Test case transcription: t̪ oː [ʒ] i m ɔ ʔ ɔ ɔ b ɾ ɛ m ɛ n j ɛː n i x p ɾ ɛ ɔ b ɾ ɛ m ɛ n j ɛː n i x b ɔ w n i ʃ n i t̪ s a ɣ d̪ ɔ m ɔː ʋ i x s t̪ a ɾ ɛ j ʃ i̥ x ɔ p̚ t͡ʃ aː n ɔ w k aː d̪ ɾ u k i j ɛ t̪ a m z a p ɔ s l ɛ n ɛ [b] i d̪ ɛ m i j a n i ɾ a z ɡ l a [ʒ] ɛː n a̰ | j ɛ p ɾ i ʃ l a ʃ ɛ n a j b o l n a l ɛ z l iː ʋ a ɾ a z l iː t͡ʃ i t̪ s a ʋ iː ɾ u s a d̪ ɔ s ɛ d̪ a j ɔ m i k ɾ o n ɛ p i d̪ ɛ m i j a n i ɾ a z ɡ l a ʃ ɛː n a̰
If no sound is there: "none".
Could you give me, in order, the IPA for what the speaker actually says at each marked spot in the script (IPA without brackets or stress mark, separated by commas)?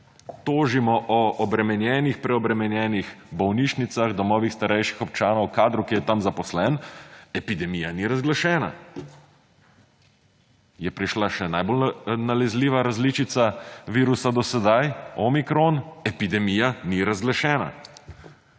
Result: ʒ, p, ʃ